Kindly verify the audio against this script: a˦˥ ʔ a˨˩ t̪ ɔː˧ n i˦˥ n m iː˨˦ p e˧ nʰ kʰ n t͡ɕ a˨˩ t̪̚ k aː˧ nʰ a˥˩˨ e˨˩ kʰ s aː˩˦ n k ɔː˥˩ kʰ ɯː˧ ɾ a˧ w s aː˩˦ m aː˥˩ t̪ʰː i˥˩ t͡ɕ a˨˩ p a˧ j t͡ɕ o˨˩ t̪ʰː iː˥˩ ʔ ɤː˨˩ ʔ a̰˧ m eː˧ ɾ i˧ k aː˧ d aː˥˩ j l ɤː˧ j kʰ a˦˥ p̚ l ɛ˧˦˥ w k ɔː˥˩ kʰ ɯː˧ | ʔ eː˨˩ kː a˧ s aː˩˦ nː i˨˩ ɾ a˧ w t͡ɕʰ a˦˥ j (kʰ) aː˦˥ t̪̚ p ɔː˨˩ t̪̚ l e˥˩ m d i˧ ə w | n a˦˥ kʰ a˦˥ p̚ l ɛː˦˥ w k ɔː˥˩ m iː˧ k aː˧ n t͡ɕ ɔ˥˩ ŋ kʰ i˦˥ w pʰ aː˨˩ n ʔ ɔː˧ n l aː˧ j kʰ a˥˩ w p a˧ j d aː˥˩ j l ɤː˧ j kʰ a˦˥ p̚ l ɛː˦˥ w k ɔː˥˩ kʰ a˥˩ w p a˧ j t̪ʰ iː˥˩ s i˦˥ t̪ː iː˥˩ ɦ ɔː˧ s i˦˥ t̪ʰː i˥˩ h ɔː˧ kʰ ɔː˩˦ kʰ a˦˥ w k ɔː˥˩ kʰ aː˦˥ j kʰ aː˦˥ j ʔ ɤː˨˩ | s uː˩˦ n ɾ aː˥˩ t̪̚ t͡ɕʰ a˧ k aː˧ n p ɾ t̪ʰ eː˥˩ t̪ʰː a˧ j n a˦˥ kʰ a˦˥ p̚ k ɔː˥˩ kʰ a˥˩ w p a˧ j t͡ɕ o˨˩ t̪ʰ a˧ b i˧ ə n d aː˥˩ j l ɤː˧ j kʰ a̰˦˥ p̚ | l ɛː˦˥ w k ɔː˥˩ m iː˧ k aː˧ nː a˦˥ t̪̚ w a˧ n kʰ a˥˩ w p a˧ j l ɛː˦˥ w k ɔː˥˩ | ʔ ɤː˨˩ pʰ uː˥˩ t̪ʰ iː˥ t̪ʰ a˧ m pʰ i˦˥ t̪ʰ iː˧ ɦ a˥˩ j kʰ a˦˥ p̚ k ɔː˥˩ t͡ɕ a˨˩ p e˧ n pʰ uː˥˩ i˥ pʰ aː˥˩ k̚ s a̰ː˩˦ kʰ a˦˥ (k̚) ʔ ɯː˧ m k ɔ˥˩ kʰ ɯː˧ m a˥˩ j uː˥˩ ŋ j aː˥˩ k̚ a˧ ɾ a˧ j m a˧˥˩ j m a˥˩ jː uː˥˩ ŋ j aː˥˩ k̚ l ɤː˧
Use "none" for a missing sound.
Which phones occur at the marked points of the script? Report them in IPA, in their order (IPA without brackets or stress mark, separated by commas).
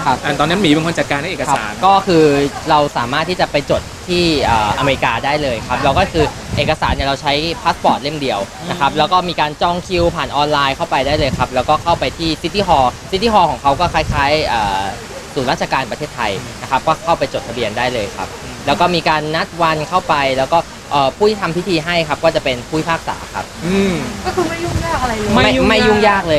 pʰ, p̚